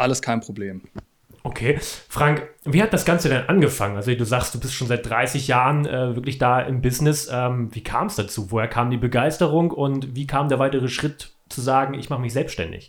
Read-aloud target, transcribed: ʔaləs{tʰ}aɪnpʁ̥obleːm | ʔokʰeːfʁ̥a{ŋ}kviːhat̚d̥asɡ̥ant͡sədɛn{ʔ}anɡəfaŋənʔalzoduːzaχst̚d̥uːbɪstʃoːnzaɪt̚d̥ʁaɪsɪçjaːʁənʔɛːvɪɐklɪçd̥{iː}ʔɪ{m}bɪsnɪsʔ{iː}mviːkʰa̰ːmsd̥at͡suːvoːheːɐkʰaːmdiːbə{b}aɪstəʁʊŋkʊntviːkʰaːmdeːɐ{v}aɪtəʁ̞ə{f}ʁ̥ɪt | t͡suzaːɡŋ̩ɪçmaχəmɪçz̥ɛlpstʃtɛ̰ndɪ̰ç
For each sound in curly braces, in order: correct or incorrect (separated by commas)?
incorrect, correct, correct, incorrect, correct, incorrect, incorrect, correct, incorrect